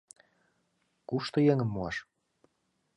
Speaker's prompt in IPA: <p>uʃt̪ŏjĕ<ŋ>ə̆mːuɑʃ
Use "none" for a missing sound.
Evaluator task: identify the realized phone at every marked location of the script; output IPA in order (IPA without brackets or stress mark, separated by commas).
k, ŋ